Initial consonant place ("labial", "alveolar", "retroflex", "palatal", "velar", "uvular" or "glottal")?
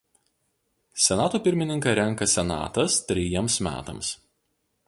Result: alveolar